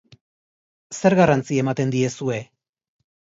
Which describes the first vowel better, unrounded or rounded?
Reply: unrounded